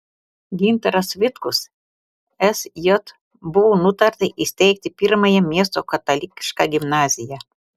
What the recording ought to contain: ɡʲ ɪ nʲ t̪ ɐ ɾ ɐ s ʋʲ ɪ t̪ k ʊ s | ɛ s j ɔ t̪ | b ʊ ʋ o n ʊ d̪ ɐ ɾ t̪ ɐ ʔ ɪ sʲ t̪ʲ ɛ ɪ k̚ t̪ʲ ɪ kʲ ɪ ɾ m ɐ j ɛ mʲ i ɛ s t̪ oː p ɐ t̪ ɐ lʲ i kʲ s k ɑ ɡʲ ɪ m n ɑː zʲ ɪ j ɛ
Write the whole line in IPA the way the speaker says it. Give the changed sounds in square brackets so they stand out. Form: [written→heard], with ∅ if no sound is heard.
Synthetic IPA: ɡʲ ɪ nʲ t̪ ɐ ɾ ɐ s ʋʲ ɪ t̪ k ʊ s | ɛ s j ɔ t̪ | b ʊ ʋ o n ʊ [d̪→t̪] ɐ ɾ t̪ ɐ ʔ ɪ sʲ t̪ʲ ɛ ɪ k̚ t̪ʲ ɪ [kʲ→pʲ] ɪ ɾ m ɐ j ɛ mʲ i ɛ s t̪ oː [p→k] ɐ t̪ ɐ lʲ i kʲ [s→ʃ] k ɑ ɡʲ ɪ m n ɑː zʲ ɪ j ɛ